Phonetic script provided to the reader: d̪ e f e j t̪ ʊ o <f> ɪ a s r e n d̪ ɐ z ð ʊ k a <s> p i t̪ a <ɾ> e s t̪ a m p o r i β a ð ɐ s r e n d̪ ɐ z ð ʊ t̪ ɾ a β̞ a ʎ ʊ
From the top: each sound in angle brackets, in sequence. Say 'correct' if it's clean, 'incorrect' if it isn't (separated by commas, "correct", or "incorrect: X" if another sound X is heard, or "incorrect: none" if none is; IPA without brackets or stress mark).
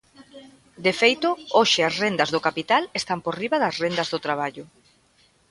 incorrect: ʃ, incorrect: none, incorrect: l